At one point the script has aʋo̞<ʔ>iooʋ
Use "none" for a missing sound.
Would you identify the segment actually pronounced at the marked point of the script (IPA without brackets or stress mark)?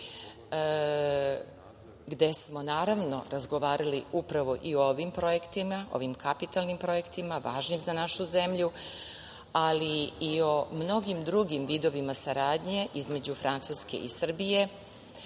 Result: ʔ